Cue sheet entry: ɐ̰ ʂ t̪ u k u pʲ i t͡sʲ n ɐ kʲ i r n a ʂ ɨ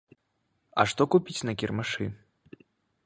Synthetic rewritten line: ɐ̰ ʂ t̪ ɔ k u pʲ i t͡sʲ n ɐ kʲ i r m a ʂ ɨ